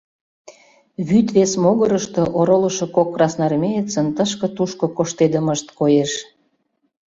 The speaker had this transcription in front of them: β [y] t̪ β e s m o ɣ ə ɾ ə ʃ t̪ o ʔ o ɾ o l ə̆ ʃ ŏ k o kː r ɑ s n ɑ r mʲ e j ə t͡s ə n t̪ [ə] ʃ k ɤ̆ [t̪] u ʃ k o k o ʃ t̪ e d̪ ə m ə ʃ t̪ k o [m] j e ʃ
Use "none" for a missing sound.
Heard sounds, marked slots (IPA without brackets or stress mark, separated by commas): y, ə, t̪, none